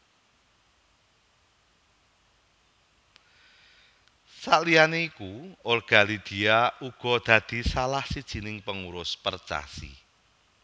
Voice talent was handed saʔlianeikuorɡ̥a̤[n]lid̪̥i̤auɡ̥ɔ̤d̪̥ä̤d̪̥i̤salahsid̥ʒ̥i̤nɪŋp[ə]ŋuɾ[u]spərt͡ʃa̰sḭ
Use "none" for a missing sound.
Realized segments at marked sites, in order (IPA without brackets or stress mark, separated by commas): none, ə, ʊ